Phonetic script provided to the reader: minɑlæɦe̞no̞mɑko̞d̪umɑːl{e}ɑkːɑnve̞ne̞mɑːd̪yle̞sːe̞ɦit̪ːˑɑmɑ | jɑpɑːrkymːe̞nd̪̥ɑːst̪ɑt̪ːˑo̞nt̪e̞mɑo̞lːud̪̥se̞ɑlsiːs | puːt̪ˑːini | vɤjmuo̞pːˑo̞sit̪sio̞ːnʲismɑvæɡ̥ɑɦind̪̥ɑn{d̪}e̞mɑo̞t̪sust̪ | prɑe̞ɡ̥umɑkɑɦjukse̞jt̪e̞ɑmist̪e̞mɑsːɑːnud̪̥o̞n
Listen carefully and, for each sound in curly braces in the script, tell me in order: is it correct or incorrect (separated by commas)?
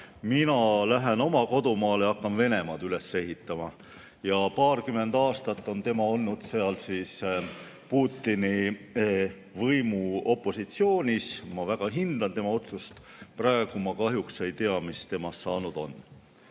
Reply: correct, incorrect